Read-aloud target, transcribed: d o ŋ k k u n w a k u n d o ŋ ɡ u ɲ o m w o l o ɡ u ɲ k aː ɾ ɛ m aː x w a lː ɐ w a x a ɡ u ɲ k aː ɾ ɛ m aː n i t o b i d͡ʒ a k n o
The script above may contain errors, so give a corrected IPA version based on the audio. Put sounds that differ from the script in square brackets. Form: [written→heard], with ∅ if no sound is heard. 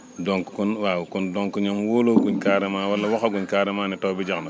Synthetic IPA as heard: d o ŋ k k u n w a k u n d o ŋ [ɡ→k] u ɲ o m w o l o ɡ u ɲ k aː ɾ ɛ m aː [x→∅] w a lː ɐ w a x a ɡ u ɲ k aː ɾ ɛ m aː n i t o b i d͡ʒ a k n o